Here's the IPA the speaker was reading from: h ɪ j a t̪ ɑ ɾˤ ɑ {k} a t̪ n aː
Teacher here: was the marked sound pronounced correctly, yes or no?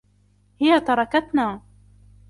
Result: yes